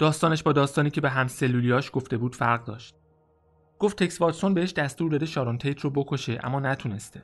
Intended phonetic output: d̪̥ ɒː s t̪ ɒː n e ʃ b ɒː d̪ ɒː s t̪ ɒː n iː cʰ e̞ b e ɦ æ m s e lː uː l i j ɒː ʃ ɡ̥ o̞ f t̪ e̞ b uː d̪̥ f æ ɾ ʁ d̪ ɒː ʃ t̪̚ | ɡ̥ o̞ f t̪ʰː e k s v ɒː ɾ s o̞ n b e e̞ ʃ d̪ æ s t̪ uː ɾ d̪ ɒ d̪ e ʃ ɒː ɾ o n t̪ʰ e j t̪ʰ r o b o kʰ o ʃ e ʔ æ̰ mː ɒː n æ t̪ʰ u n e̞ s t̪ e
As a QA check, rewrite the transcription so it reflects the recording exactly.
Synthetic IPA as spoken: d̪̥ ɒː s t̪ ɒː n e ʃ b ɒː d̪ ɒː s t̪ ɒː n iː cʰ e̞ b e ɦ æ m s e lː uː l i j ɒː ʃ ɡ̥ o̞ f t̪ e̞ b uː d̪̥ f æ ɾ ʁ d̪ ɒː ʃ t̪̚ | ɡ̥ o̞ f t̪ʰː e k s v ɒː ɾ s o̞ n b e e̞ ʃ d̪ æ s t̪ uː ɾ d̪ ɒ d̪ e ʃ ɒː ɾ o n t̪ʰ e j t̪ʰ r o b o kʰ o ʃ e ʔ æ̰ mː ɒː n æ t̪ʰ u n e̞ s t̪ e